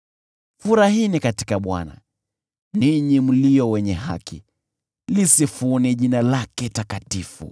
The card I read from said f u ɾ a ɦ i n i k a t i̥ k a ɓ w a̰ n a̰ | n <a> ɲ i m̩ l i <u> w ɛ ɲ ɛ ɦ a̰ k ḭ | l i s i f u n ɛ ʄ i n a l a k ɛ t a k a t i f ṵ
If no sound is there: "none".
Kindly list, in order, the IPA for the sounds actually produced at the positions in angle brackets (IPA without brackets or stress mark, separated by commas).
i, ɔ